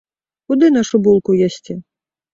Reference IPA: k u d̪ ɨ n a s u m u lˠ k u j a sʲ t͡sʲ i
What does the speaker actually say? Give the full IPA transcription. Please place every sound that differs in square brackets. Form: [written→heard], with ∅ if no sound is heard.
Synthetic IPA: k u d̪ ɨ n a [s→ʂ] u [m→b] u lˠ k u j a sʲ t͡sʲ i